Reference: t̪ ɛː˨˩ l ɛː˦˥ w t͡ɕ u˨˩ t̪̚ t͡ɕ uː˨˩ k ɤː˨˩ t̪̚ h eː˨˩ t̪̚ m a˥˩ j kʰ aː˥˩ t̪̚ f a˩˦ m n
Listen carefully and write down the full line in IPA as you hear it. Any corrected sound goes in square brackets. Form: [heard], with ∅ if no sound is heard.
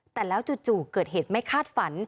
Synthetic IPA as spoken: t̪ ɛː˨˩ l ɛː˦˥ w t͡ɕ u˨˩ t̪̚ t͡ɕ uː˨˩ k ɤː˨˩ t̪̚ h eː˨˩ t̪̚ m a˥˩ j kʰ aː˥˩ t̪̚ f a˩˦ [∅] n